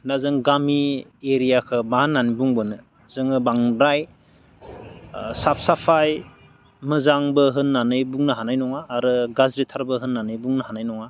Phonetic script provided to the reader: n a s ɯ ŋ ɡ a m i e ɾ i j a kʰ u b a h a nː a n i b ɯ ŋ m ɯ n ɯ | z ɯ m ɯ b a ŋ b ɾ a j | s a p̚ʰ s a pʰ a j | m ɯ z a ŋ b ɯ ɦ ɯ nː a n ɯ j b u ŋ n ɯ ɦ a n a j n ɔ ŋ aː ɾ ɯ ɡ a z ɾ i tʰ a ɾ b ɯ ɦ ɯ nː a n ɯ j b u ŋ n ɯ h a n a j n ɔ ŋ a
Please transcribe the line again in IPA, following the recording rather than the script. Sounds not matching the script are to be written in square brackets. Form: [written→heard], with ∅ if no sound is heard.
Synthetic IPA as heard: n a [s→z] ɯ ŋ ɡ a m i e ɾ i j a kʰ [u→ɯ] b a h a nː a n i b [ɯ→u] ŋ [m→b] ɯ n ɯ | z ɯ [m→ŋ] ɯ b a ŋ b ɾ a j | s a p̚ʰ s a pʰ a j | m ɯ z a ŋ b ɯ ɦ ɯ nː a n ɯ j b u ŋ n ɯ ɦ a n a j n ɔ ŋ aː ɾ ɯ ɡ a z ɾ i tʰ a ɾ b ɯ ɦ ɯ nː a n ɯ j b u ŋ n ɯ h a n a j n ɔ ŋ a